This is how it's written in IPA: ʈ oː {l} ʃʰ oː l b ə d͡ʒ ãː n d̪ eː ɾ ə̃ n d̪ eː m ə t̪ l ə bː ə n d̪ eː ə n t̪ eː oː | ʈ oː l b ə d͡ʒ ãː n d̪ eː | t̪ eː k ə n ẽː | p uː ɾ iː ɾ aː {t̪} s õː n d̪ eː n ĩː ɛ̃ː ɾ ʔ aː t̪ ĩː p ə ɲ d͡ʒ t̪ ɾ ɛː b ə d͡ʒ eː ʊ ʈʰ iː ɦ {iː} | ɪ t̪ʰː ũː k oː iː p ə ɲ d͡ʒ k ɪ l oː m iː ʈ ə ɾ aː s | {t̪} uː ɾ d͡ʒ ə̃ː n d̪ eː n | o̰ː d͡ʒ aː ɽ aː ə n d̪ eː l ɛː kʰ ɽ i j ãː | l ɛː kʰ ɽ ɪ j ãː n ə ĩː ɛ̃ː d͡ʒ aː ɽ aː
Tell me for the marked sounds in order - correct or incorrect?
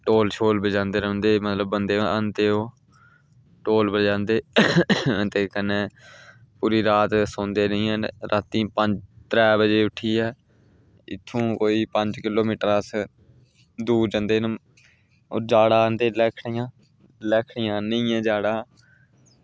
correct, correct, incorrect, incorrect

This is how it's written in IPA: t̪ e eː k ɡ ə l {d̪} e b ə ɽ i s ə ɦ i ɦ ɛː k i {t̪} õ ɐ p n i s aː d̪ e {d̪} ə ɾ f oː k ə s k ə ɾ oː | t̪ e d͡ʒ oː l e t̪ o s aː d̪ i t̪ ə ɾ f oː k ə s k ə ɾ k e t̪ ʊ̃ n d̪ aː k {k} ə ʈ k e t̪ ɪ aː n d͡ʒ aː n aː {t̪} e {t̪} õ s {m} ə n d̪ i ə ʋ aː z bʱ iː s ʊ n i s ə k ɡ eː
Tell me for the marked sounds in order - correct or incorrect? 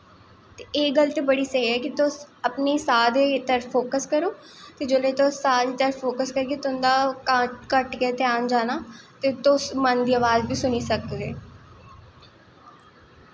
incorrect, correct, incorrect, correct, correct, correct, correct

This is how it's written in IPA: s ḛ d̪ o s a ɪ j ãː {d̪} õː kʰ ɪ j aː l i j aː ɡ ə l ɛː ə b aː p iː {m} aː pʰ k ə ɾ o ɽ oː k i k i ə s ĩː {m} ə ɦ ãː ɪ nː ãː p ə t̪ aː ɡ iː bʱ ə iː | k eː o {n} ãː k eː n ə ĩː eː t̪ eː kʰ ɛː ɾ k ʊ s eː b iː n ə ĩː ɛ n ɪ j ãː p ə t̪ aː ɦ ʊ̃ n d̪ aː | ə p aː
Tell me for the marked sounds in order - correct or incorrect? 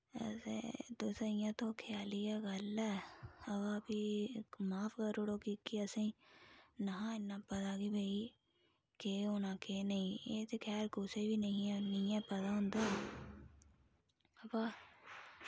incorrect, correct, incorrect, correct

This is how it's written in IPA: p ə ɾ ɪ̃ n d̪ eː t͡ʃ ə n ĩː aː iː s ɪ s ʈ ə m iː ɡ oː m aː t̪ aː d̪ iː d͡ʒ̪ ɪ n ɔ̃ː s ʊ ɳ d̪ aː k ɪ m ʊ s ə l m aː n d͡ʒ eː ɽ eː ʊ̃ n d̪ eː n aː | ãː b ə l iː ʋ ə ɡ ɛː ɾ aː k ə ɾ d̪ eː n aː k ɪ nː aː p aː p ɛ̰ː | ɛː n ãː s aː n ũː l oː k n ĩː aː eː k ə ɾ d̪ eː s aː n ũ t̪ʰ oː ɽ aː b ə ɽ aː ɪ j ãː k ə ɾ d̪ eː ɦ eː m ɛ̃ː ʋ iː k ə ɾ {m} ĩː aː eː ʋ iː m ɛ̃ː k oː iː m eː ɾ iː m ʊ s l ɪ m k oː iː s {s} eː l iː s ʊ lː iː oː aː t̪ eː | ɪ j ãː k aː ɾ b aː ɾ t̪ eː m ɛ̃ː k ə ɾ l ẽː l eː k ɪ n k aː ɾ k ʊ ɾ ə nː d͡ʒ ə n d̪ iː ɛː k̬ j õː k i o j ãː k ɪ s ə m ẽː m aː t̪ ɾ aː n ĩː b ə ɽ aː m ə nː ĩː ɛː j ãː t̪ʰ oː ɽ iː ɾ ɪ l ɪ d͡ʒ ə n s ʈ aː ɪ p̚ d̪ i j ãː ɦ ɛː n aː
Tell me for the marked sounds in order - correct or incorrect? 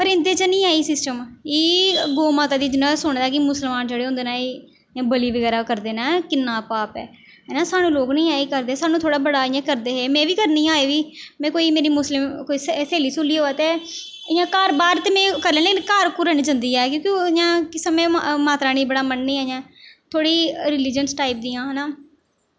incorrect, correct

